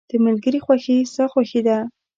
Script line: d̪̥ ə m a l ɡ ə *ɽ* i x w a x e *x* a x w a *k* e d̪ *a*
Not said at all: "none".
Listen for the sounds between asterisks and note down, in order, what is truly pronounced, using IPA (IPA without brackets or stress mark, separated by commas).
ɾ, s, x, a